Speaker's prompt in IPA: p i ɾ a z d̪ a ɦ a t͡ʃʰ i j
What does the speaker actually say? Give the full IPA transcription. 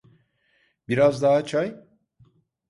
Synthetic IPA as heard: b i ɾ a z d̪ a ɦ a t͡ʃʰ a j